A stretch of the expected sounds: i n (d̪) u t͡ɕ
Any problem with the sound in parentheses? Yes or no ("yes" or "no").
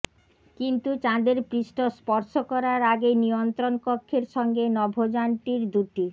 yes